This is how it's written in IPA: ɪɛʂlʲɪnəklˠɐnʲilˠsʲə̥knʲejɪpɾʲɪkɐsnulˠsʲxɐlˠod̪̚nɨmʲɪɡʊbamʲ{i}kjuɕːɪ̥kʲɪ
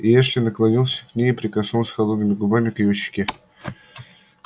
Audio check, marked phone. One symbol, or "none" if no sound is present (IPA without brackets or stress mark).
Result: ɪ